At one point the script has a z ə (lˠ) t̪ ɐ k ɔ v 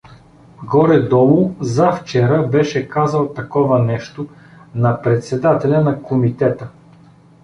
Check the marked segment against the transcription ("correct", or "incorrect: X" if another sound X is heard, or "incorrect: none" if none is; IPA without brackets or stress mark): correct